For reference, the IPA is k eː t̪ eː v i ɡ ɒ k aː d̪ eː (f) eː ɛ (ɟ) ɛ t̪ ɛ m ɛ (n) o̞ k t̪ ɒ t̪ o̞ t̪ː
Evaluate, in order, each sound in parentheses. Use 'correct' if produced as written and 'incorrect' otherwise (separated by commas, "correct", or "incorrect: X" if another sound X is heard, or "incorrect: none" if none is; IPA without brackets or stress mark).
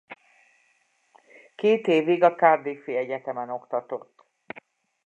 correct, correct, correct